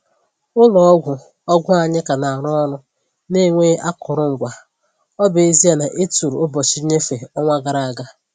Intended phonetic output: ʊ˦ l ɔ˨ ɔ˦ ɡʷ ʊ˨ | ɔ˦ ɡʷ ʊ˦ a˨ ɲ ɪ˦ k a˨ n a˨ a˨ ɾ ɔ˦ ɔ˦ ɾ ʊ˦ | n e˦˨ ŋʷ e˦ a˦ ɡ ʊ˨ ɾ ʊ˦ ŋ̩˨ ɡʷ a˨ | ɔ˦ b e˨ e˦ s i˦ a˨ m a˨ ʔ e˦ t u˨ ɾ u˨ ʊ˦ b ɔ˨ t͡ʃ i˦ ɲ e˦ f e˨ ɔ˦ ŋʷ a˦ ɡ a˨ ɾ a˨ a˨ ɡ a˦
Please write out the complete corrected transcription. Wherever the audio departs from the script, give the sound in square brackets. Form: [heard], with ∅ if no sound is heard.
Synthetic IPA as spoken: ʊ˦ l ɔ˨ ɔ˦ ɡʷ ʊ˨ | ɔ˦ ɡʷ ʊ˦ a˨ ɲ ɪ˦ k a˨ n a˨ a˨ ɾ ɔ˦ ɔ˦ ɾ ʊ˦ | n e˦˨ ŋʷ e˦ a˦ [k] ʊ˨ ɾ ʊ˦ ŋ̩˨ ɡʷ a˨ | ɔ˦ b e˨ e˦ [z] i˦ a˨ [n] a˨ ʔ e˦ t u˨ ɾ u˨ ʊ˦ b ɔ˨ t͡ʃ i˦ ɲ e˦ f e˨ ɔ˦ ŋʷ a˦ ɡ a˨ ɾ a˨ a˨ ɡ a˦